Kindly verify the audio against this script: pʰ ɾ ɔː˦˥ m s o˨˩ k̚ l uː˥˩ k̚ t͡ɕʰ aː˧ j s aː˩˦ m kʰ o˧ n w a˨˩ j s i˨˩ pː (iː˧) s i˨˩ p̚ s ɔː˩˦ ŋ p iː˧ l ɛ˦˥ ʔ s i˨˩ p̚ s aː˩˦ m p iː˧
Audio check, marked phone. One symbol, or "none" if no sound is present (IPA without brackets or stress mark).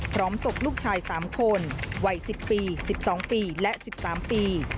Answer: iː˧